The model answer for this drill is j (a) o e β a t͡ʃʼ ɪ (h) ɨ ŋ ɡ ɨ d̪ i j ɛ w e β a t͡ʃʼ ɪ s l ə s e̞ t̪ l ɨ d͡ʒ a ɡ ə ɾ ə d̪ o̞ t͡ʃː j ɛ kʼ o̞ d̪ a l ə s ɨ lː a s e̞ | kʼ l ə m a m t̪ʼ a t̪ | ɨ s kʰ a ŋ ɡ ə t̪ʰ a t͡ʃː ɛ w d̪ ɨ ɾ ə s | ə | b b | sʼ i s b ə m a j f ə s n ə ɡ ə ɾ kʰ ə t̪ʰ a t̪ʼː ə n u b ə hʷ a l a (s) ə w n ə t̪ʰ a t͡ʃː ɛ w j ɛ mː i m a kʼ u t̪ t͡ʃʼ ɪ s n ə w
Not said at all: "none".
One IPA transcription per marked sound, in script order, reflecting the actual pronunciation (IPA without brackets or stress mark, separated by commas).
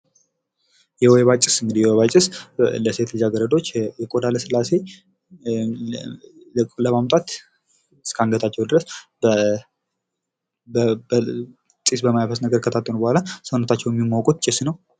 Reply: ɛ, s, s